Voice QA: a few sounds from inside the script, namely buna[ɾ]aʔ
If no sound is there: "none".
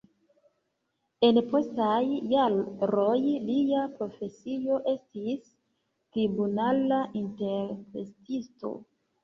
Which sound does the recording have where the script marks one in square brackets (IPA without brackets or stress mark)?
l